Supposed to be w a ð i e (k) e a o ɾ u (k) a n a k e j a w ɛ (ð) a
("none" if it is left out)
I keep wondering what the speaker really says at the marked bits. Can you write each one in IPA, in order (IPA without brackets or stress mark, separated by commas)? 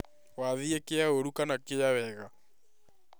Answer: k, k, ɣ